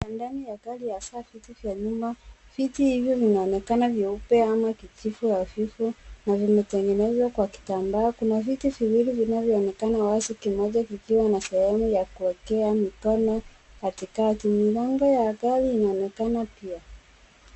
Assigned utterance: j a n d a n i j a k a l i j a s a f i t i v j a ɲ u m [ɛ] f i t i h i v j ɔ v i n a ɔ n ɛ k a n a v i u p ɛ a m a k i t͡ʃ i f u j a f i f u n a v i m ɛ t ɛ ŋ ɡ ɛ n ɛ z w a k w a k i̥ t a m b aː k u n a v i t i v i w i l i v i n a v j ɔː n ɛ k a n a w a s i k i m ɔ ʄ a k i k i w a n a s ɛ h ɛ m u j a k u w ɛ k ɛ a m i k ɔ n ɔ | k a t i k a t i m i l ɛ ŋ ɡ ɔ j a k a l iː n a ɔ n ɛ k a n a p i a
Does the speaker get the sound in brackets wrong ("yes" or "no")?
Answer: yes